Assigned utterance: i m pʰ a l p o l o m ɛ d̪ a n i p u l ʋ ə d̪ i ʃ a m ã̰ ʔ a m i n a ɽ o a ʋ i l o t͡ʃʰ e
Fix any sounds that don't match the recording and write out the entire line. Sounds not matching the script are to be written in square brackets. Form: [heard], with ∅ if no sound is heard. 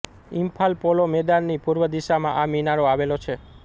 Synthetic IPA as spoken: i m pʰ a l p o l o m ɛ d̪ a [nː] i p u [ɾ] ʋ ə d̪ i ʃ a m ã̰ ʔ a m i n a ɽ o a ʋ [e] l o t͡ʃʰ e